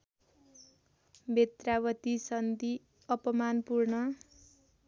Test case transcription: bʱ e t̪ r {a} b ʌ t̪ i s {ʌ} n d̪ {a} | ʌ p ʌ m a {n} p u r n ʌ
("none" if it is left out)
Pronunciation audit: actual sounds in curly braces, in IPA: a, ʌ, i, n

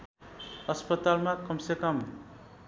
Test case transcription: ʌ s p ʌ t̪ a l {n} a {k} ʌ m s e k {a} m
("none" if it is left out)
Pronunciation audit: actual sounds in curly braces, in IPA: m, k, ʌ

